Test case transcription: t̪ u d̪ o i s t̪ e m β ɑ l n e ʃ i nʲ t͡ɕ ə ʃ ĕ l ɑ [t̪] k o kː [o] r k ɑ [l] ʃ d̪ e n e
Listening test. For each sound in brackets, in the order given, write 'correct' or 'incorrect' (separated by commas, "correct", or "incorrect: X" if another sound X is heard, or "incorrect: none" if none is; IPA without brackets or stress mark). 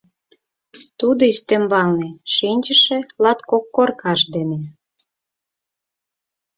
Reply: correct, correct, incorrect: none